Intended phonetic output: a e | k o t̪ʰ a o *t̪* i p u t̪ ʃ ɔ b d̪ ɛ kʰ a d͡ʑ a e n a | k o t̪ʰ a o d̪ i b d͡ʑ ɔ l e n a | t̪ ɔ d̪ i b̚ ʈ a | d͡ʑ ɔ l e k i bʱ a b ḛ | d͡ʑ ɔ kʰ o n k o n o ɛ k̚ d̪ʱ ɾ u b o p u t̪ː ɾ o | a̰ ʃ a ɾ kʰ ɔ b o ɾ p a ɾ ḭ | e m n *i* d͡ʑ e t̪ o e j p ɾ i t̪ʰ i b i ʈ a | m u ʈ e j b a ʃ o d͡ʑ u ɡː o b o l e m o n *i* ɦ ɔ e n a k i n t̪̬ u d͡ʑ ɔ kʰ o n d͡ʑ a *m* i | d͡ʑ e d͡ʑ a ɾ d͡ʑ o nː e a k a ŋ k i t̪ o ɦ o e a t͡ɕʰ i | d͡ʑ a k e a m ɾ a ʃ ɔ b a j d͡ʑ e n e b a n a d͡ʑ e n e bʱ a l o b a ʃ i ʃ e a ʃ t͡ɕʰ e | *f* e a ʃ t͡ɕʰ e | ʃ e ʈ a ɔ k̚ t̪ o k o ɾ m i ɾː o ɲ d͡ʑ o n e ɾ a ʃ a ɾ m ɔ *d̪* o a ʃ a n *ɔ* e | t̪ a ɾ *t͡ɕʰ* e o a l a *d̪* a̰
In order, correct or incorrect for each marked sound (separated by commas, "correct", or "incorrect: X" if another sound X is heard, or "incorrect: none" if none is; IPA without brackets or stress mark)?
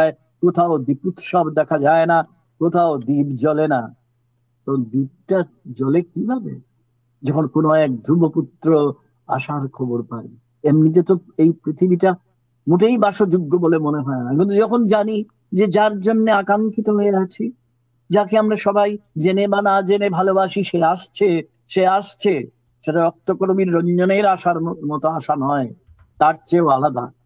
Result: incorrect: d̪, correct, incorrect: e, incorrect: n, incorrect: ʃ, incorrect: t̪, correct, incorrect: t͡ɕ, correct